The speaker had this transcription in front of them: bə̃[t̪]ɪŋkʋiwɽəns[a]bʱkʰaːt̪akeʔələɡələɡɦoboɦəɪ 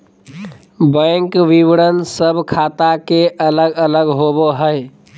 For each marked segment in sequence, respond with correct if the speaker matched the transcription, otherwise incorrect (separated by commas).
incorrect, incorrect